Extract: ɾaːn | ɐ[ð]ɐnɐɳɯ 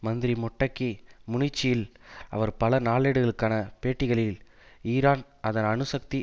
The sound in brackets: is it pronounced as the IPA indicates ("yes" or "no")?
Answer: yes